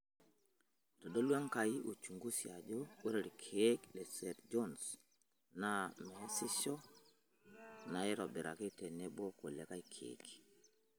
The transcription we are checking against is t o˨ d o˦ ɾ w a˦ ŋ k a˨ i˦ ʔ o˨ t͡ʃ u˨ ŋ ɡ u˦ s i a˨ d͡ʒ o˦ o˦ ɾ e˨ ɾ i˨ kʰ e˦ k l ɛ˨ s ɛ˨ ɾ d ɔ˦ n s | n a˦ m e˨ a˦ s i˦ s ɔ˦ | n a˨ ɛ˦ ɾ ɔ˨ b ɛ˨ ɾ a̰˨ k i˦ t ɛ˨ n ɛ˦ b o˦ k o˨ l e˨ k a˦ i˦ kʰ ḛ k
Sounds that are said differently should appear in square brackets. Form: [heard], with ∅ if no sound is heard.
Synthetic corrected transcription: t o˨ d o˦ [l] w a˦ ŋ k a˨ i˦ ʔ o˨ t͡ʃ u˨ ŋ ɡ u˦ s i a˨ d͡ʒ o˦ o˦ ɾ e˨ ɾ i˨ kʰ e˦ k l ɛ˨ s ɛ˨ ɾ [d͡ʒ] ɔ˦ n s | n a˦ m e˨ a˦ s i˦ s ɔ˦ | n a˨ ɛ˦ ɾ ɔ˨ b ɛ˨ ɾ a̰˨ k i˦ t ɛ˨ n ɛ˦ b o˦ k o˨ l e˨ k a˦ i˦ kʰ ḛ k